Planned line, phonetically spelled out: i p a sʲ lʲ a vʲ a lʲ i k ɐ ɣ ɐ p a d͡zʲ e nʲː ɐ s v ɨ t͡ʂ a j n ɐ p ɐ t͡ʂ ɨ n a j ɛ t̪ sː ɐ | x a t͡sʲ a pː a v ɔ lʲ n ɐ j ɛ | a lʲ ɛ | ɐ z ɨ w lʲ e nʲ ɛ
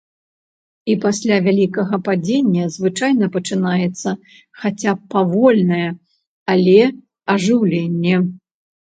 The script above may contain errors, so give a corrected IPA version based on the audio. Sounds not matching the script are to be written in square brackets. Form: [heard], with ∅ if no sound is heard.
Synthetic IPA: i p a sʲ lʲ a vʲ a lʲ i k ɐ ɣ ɐ p a d͡zʲ e nʲː ɐ [z] v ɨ t͡ʂ a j n ɐ p ɐ t͡ʂ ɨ n a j ɛ t̪ sː ɐ | x a t͡sʲ a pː a v ɔ lʲ n ɐ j ɛ | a lʲ ɛ | ɐ [ʐ] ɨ w lʲ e [nʲː] ɛ